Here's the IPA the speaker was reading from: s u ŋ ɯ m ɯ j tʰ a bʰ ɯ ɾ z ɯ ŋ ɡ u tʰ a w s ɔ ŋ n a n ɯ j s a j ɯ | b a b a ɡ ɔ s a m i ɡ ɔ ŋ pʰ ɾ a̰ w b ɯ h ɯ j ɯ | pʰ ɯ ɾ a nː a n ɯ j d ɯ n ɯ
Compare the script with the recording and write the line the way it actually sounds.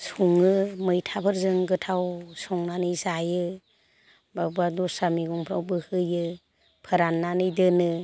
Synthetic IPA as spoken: s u ŋ ɯ m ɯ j tʰ a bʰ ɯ ɾ z ɯ ŋ ɡ ɯ tʰ a w s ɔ ŋ n a n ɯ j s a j ɯ | b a b a d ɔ s a m i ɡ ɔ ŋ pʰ ɾ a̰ w b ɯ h ɯ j ɯ | pʰ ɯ ɾ a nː a n ɯ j d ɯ n ɯ